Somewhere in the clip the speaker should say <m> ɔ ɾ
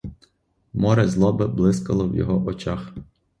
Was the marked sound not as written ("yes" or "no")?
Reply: no